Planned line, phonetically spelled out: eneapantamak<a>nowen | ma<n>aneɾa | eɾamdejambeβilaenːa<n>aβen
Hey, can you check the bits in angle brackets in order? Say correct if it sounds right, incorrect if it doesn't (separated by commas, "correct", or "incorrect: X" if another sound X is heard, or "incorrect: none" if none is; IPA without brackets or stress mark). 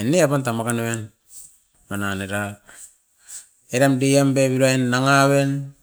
correct, correct, incorrect: ŋ